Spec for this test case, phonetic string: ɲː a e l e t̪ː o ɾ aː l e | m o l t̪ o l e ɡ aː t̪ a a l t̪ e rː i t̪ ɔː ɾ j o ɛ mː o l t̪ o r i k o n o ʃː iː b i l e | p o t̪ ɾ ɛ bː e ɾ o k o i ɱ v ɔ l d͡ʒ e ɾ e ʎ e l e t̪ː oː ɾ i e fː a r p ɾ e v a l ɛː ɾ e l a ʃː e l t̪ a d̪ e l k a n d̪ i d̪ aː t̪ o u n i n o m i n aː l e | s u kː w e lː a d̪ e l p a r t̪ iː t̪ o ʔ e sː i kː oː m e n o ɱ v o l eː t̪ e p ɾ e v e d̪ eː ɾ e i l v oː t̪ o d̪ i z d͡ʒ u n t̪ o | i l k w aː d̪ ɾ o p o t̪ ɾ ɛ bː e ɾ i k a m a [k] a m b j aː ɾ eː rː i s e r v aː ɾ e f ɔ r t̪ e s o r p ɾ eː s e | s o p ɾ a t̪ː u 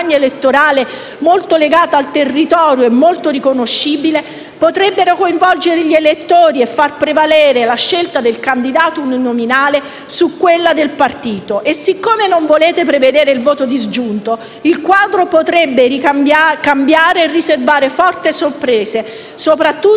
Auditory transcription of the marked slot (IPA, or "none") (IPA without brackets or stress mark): k